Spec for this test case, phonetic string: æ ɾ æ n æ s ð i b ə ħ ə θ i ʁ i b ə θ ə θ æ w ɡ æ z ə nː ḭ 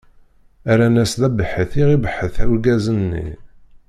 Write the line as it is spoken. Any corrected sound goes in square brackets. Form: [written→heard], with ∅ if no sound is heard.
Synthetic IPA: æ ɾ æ n æ s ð [i→æ] b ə ħ ə θ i ʁ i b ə [θ→ħ] ə θ æ w ɡ æ z ə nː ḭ